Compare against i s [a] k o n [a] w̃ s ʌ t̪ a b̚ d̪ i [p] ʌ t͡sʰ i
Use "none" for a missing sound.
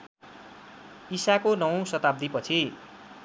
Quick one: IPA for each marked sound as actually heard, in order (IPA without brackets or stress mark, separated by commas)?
a, ʌ, p